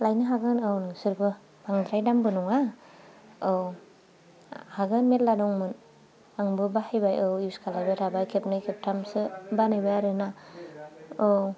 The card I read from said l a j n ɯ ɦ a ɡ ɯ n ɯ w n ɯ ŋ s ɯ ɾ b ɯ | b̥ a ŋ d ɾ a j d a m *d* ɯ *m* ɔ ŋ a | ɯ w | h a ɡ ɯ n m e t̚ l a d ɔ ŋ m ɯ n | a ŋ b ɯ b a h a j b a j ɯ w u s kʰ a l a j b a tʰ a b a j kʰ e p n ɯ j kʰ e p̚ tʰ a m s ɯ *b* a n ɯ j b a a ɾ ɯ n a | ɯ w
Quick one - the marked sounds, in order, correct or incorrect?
incorrect, incorrect, correct

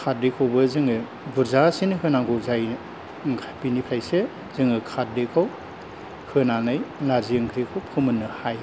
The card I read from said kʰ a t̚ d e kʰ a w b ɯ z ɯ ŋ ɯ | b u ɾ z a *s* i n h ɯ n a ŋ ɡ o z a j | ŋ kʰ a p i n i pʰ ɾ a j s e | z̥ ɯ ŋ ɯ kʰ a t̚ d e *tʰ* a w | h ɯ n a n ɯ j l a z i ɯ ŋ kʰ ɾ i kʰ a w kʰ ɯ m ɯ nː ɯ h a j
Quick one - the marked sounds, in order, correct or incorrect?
correct, incorrect

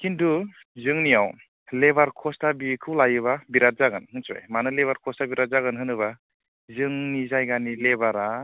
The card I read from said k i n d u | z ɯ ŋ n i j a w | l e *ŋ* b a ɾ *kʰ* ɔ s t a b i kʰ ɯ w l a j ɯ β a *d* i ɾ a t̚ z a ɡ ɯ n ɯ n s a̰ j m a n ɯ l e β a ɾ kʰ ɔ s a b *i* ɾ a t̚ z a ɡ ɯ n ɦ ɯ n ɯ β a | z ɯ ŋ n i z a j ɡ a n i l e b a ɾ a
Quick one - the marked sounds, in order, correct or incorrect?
incorrect, correct, incorrect, correct

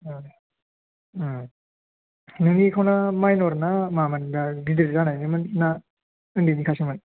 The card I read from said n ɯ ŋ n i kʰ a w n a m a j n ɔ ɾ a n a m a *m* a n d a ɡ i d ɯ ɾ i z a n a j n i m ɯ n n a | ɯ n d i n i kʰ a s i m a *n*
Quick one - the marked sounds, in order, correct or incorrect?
correct, correct

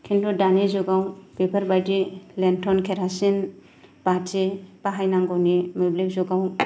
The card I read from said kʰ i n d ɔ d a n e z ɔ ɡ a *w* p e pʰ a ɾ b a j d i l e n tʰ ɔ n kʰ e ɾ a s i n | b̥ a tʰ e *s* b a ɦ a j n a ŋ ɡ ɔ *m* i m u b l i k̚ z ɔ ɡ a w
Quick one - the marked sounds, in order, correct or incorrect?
correct, incorrect, incorrect

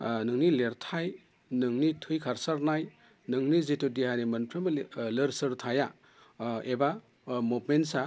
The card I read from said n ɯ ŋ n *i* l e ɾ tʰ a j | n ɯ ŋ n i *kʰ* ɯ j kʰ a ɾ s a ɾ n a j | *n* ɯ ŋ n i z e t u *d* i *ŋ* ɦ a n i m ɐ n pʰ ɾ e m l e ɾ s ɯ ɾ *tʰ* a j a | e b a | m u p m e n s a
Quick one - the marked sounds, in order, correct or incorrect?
correct, incorrect, correct, correct, incorrect, correct

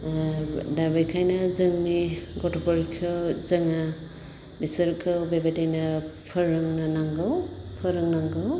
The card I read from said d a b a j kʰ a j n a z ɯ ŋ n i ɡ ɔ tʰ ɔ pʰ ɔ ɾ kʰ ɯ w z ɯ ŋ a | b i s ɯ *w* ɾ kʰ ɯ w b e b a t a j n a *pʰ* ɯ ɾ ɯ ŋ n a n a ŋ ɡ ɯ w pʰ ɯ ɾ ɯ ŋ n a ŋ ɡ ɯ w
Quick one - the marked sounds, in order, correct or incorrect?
incorrect, correct

